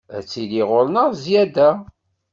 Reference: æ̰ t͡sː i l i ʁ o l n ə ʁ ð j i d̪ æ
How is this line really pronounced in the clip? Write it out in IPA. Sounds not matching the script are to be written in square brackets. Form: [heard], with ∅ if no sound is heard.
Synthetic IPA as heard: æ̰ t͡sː i l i ʁ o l n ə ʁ [z] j [æ] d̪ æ